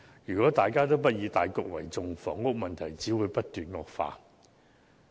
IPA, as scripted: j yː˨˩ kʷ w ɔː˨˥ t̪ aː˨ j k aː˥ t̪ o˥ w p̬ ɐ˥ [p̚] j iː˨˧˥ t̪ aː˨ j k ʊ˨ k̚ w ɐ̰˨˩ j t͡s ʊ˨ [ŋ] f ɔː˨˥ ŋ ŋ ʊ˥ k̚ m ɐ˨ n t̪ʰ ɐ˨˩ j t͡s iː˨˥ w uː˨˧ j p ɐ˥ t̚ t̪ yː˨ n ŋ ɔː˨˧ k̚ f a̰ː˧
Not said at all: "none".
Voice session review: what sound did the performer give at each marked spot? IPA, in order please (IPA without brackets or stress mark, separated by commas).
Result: t̚, ŋ